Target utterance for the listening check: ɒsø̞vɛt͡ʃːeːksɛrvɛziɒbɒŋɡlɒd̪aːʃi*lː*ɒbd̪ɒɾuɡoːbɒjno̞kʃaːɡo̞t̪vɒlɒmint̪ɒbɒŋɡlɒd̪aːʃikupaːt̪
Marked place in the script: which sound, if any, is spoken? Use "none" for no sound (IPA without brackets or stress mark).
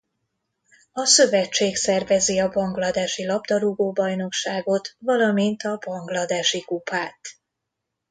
l